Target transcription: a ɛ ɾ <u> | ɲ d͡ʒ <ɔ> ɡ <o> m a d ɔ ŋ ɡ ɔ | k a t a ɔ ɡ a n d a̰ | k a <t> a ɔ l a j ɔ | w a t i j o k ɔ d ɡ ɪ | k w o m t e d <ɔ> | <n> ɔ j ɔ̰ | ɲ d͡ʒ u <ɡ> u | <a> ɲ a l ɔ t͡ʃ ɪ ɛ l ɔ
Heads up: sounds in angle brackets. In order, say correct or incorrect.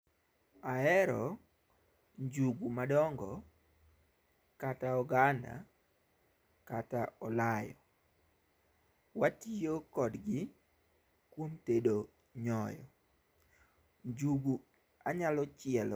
incorrect: ɔ, incorrect: u, incorrect: u, correct, incorrect: o, incorrect: ɲ, correct, correct

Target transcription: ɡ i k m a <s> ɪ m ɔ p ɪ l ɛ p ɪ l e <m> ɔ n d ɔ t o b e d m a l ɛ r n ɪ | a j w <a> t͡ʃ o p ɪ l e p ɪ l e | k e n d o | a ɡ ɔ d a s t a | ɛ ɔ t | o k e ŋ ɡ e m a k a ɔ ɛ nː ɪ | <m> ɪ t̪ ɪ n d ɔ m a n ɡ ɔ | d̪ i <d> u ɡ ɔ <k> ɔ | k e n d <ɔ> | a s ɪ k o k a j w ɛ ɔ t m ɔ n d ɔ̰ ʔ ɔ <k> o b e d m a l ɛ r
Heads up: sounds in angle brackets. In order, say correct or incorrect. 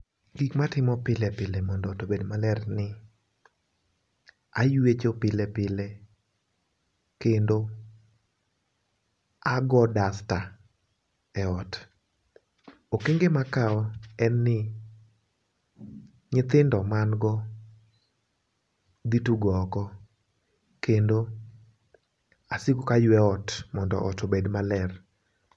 incorrect: t, correct, incorrect: e, incorrect: ɲ, incorrect: t, correct, incorrect: o, incorrect: t

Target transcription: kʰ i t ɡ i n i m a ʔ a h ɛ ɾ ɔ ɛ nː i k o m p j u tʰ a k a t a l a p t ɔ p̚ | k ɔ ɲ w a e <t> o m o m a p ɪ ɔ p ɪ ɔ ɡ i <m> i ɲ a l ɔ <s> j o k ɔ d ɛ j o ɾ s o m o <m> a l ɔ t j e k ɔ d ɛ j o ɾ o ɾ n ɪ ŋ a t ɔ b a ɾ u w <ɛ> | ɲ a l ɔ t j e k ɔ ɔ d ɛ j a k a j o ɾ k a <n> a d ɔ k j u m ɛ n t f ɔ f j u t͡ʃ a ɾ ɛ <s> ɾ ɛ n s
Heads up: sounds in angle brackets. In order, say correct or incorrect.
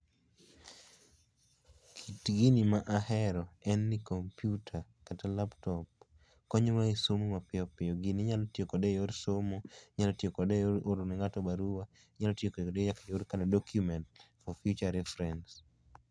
incorrect: s, incorrect: n, incorrect: t, incorrect: ɲ, incorrect: a, correct, incorrect: f

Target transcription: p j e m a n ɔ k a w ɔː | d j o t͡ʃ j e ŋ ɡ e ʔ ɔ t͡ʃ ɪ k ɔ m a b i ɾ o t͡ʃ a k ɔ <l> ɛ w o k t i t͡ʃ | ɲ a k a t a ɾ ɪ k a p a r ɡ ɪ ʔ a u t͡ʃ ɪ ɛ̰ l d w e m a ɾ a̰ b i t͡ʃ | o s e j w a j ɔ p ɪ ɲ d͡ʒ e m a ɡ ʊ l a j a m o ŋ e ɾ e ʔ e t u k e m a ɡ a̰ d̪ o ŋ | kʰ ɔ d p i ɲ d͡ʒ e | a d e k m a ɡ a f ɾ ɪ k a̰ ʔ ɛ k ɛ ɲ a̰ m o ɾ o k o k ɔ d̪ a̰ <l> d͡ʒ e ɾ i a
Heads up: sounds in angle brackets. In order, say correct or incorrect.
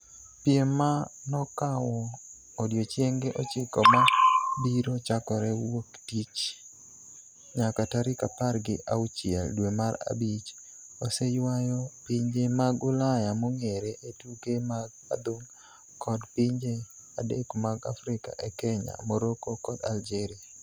incorrect: ɾ, correct

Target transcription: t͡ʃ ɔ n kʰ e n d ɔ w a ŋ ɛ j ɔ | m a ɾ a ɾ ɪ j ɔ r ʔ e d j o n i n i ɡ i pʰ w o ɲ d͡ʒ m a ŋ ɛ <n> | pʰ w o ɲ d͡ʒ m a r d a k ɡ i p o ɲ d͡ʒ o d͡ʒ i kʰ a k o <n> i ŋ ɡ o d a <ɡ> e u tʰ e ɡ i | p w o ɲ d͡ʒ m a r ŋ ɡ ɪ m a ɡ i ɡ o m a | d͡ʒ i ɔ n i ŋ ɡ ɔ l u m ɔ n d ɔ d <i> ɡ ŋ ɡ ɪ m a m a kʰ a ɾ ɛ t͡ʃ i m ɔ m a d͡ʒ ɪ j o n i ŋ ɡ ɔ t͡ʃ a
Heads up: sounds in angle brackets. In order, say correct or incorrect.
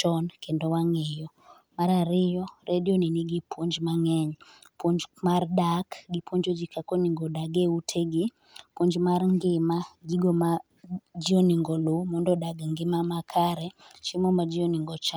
incorrect: ɲ, correct, correct, incorrect: a

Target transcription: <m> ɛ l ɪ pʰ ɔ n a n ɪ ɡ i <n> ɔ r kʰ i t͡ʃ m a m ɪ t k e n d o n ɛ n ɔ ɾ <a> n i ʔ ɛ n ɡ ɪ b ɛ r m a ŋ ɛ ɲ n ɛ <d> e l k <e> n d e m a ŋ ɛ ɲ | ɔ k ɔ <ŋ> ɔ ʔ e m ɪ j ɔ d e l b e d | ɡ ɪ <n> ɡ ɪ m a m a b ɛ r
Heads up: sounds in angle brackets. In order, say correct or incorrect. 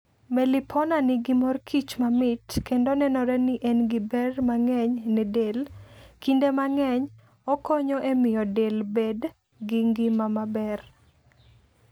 correct, incorrect: m, incorrect: ɛ, correct, incorrect: i, incorrect: ɲ, incorrect: ŋ

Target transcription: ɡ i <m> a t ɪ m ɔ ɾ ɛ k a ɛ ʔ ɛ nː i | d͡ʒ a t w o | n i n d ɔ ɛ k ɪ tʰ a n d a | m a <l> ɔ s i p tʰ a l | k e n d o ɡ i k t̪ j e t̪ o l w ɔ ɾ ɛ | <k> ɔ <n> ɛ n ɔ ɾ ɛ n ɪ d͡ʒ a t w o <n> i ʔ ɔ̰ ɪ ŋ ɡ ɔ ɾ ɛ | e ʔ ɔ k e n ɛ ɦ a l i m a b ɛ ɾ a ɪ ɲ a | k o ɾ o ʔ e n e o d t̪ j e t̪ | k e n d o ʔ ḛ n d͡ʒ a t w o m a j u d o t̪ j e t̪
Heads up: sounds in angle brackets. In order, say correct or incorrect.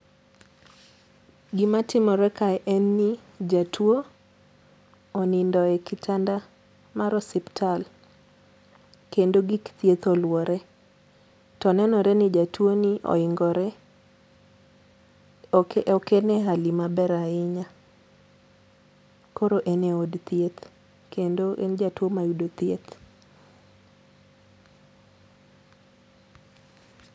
correct, incorrect: ɾ, incorrect: t, correct, correct

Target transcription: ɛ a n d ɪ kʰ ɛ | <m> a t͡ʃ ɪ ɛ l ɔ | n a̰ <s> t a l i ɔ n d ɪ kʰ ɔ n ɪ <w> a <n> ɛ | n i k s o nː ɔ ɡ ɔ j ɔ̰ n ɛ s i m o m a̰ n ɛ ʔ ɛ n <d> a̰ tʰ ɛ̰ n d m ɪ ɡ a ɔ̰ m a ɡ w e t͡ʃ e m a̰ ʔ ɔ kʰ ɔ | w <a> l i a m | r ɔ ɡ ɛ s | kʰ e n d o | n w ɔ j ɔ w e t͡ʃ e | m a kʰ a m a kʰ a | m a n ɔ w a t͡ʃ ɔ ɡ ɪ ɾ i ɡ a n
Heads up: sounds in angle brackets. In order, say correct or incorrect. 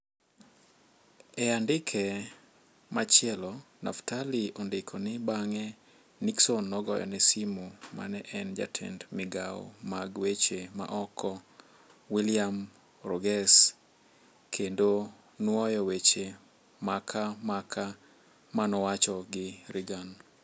correct, incorrect: f, incorrect: b, incorrect: ŋ, incorrect: d͡ʒ, incorrect: i

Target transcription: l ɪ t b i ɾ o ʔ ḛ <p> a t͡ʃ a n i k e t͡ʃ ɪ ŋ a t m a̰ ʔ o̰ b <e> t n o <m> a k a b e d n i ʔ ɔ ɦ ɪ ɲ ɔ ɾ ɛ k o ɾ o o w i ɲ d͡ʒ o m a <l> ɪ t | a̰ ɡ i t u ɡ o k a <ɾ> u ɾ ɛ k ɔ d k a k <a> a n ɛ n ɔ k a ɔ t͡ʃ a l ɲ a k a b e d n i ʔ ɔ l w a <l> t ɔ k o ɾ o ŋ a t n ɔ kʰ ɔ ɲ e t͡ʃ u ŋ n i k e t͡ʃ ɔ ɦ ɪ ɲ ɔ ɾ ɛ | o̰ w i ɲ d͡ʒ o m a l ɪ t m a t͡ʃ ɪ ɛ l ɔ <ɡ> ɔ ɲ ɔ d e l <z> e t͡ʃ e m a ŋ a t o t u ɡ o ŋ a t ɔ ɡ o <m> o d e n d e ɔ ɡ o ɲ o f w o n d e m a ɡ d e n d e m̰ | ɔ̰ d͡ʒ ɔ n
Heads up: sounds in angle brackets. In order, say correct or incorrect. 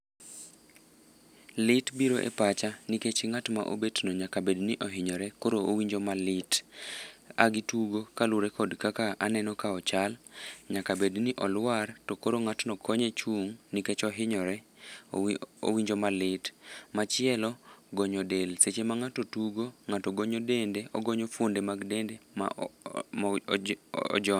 correct, correct, incorrect: ɲ, correct, incorrect: l, correct, incorrect: r, correct, incorrect: s, incorrect: ɲ

